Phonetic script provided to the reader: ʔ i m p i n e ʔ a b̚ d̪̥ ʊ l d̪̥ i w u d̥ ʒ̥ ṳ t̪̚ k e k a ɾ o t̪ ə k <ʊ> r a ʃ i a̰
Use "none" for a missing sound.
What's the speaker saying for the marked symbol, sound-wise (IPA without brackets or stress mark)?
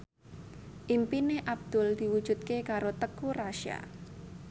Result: u